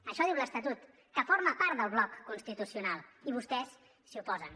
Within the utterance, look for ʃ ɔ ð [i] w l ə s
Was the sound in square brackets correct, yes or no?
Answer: yes